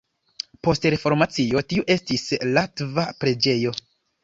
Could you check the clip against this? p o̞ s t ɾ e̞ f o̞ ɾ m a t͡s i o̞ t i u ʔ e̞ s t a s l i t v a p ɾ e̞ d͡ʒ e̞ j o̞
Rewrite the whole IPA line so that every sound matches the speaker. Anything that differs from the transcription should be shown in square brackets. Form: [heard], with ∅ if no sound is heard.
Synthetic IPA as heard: p o̞ s t ɾ e̞ f o̞ ɾ m a t͡s i o̞ t i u ʔ e̞ s t [i] s l [a] t v a p ɾ e̞ d͡ʒ e̞ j o̞

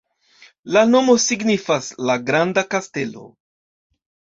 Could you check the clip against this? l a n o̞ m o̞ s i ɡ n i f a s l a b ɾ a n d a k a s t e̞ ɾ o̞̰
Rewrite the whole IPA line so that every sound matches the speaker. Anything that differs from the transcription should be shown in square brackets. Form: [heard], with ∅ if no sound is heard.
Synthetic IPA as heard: l a n o̞ m o̞ s i ɡ n i f a s l a [ɡ] ɾ a n d a k a s t e̞ [l] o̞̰

